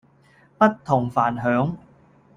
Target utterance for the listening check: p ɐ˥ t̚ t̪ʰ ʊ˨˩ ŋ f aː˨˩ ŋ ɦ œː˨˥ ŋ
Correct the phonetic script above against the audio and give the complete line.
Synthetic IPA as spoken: p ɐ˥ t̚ t̪ʰ ʊ˨˩ ŋ f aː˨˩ n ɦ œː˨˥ ŋ